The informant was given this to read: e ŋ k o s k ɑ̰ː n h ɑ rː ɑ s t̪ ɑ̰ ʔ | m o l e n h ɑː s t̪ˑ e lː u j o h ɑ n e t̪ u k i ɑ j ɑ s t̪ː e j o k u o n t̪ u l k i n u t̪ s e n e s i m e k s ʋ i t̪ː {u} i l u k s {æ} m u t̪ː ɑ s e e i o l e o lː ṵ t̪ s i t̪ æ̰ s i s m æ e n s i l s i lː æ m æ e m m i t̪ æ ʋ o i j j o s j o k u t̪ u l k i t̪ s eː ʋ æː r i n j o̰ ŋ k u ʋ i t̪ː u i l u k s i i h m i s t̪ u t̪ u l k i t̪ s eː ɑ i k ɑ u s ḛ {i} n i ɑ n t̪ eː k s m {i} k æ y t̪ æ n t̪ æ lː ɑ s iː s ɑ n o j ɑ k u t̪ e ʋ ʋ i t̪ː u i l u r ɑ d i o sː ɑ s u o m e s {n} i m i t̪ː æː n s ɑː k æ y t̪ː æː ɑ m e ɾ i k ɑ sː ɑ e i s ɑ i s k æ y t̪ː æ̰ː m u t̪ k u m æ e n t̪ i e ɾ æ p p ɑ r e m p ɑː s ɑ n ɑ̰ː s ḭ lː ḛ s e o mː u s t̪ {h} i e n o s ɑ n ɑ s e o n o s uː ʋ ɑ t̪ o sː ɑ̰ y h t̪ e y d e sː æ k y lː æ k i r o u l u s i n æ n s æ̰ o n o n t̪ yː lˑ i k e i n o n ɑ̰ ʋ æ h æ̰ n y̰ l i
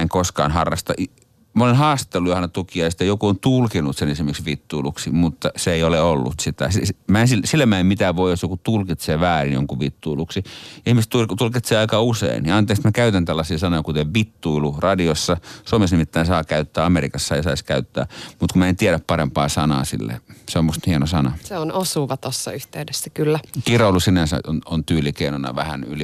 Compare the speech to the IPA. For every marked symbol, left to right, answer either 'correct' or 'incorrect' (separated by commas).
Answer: correct, incorrect, correct, incorrect, correct, correct